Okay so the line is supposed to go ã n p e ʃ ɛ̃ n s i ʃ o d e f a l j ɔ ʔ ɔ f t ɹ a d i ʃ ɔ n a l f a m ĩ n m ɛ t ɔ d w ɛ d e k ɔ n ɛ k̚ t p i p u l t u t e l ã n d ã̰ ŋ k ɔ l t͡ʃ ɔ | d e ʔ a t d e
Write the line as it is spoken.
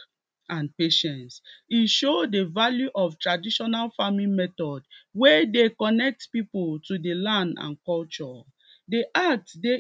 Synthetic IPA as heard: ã n p e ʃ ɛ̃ n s i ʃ o d e v a l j u ʔ ɔ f t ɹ a d i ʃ ɔ n a l f a m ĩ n m ɛ t ɔ d w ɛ d e k ɔ n ɛ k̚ t p i p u l t u d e l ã n d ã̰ n k ɔ l t͡ʃ ɔ | d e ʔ a t d e